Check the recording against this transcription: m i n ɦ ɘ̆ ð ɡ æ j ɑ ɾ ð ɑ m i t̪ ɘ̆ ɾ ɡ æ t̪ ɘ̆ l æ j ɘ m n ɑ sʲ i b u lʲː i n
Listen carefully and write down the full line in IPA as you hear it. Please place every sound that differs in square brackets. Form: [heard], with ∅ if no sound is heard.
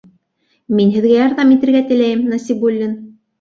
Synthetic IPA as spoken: m i n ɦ ɘ̆ ð ɡ æ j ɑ ɾ ð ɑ m i t̪ ɘ̆ ɾ ɡ æ t̪ ɘ̆ l æ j ɘ m n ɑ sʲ i b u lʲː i n